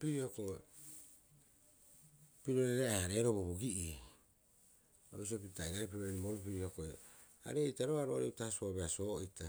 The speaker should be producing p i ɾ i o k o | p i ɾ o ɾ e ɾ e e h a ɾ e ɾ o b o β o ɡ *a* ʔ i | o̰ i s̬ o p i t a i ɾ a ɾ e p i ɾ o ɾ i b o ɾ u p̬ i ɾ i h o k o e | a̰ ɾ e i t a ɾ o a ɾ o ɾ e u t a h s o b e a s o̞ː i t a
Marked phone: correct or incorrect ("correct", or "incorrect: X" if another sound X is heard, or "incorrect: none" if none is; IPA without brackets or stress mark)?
incorrect: i